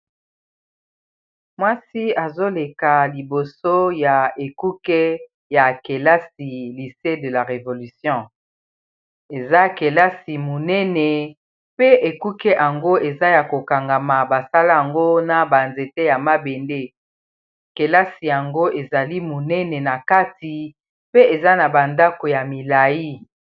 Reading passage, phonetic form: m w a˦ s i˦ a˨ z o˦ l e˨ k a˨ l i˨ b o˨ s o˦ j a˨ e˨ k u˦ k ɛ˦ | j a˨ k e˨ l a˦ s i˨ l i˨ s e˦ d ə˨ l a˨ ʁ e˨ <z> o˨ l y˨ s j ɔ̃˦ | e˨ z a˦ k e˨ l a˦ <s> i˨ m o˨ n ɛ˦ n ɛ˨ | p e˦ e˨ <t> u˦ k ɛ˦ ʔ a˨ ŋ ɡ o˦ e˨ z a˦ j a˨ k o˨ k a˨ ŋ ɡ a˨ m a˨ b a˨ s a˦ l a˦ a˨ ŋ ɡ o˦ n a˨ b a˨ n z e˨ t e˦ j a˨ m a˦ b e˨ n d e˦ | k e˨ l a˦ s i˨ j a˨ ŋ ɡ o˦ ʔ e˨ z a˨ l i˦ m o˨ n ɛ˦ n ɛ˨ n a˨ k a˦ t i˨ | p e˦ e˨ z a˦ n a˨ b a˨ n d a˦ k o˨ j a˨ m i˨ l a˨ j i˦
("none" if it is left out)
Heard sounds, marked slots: v, s, k

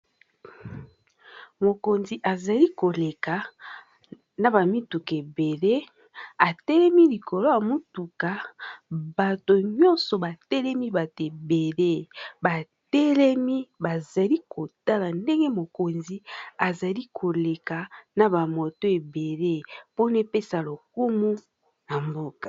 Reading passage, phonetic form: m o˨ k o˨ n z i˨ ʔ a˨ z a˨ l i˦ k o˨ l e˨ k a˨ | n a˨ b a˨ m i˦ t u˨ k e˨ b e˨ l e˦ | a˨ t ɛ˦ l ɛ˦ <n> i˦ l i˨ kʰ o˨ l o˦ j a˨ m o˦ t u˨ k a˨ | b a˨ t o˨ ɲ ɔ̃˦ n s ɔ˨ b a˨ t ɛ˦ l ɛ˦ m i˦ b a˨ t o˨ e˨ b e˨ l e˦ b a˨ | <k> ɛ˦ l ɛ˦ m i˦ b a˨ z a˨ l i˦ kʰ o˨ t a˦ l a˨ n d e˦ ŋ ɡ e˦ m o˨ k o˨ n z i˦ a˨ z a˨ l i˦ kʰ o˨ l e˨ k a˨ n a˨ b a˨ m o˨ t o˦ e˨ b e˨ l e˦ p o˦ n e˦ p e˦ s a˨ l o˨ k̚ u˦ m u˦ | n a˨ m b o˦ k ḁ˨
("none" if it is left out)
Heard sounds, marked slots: m, t

